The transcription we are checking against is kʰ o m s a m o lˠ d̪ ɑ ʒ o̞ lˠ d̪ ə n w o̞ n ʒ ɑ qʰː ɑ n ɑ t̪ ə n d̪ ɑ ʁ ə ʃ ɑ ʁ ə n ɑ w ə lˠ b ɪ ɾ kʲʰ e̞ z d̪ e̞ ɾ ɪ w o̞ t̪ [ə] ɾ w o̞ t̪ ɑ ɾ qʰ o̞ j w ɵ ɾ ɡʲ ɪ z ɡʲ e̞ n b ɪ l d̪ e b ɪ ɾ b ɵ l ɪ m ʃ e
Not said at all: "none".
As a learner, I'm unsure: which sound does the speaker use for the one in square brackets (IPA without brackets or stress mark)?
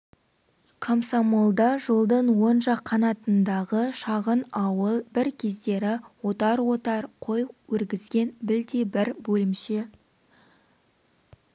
ɑ